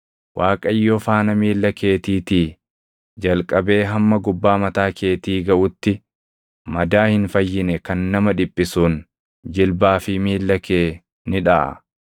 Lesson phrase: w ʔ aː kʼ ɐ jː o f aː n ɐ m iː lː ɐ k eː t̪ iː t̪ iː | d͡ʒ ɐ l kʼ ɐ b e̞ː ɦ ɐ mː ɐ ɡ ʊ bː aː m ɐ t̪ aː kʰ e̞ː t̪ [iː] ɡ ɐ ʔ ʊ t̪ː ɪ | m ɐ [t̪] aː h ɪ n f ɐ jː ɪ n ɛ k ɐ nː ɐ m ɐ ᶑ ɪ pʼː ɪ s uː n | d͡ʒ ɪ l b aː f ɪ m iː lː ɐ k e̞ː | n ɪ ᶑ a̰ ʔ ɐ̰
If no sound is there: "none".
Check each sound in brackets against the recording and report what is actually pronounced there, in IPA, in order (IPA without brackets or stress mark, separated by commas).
iː, d̪